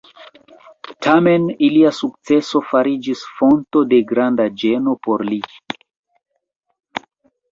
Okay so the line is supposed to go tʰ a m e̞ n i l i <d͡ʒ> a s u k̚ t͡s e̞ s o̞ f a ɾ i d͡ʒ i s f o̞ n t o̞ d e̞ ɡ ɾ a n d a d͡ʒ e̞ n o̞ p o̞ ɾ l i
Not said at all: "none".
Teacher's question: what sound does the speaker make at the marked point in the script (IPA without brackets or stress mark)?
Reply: none